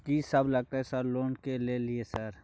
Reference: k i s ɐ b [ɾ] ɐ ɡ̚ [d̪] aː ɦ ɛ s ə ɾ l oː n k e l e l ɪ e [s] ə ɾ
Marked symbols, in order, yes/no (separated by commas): no, no, yes